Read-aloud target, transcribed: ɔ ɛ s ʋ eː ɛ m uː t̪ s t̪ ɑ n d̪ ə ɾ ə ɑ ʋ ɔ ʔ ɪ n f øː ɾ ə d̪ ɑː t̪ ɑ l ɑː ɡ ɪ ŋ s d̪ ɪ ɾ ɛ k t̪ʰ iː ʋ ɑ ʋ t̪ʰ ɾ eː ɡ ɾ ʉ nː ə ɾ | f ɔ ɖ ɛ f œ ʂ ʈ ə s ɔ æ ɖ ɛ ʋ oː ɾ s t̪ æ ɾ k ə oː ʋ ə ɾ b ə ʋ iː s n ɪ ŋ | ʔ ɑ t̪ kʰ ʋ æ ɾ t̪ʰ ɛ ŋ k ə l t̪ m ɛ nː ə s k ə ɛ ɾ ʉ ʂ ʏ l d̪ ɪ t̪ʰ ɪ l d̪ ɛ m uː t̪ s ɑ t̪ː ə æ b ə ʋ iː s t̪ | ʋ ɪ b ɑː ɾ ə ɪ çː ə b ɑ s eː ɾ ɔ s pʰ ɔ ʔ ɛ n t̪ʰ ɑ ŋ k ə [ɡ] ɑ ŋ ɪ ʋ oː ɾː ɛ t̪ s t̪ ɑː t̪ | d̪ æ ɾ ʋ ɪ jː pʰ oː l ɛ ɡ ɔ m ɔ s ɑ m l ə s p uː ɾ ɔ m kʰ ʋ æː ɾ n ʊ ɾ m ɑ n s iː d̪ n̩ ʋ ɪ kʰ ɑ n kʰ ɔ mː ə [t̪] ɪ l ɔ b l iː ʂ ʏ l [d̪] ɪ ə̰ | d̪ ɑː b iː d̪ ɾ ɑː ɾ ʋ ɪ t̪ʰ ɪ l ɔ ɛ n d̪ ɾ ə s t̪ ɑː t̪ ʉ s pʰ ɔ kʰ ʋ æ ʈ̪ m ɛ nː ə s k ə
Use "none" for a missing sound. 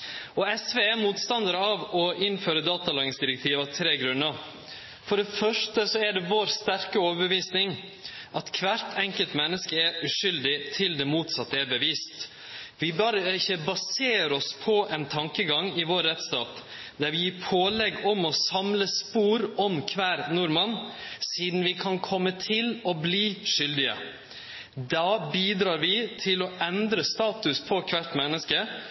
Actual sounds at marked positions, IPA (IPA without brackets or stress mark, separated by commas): ɡ, t̪ʰ, d̪